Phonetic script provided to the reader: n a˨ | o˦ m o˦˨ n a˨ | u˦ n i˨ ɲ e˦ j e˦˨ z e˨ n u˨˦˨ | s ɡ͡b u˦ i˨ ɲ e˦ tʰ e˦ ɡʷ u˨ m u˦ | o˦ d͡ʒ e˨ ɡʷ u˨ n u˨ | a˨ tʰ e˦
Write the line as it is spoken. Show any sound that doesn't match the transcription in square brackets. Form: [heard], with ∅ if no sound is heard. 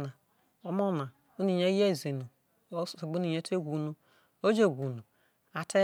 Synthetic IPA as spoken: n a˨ | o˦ m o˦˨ n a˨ | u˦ n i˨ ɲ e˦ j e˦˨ z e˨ n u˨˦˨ | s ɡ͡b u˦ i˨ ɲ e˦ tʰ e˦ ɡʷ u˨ [n] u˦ | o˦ d͡ʒ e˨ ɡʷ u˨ n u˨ | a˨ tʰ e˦